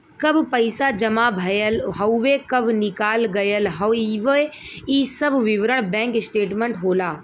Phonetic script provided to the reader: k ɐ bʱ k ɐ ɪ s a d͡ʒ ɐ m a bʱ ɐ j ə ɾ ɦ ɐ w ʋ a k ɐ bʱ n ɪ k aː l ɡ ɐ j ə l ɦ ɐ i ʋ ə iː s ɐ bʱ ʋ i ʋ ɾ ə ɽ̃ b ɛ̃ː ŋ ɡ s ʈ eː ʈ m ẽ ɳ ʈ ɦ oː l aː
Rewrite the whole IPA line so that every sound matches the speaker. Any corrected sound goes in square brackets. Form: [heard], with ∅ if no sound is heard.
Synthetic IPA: k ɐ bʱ [p] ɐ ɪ s a d͡ʒ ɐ m a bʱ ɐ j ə [l] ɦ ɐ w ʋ [e] k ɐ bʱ n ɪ k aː l ɡ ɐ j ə l ɦ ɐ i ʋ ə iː s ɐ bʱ ʋ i ʋ ɾ ə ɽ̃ b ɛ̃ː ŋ [k] s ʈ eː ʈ m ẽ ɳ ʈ ɦ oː l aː